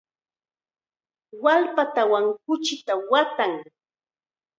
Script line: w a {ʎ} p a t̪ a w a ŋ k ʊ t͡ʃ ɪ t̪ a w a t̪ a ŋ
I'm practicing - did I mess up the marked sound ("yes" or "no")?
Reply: yes